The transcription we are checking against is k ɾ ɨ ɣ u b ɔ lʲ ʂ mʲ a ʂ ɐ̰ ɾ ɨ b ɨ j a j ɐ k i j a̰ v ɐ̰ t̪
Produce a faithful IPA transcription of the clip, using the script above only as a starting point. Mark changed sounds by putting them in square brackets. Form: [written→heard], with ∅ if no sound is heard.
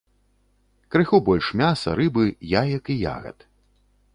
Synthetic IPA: k ɾ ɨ [ɣ→x] u b ɔ lʲ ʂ mʲ a [ʂ→s] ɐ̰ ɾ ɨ b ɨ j a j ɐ k i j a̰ [v→ɣ] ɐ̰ t̪